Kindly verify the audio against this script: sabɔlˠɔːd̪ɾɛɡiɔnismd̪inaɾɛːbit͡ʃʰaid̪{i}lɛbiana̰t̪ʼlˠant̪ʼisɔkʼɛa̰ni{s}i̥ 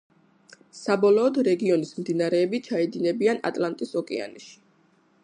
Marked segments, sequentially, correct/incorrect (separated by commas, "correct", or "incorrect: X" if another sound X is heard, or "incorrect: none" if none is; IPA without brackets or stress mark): correct, incorrect: ʃ